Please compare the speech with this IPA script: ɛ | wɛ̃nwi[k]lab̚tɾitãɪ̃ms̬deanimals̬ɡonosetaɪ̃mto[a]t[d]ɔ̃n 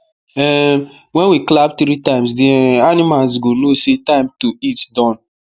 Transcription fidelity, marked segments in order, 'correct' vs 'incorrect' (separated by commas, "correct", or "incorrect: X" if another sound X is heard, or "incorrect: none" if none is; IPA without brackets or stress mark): correct, incorrect: i, correct